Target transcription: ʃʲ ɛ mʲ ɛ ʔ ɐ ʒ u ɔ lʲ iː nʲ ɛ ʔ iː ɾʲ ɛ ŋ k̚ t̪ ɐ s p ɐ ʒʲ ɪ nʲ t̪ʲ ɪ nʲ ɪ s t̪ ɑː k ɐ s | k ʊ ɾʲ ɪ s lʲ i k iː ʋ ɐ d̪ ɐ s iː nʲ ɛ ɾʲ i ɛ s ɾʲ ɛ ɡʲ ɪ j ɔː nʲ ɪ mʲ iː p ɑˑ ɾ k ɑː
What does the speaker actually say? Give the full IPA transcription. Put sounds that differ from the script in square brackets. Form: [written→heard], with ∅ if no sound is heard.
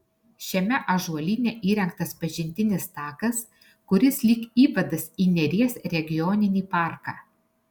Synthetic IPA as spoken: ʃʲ ɛ mʲ ɛ ʔ ɐ ʒ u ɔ lʲ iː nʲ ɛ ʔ iː ɾʲ ɛ ŋ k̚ t̪ ɐ s p ɐ ʒʲ ɪ nʲ t̪ʲ ɪ nʲ ɪ s t̪ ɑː k ɐ s | k ʊ ɾʲ ɪ s lʲ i k iː ʋ ɐ d̪ ɐ s iː nʲ ɛ ɾʲ i ɛ s ɾʲ ɛ ɡʲ ɪ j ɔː nʲ ɪ [mʲ→nʲ] iː p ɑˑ ɾ k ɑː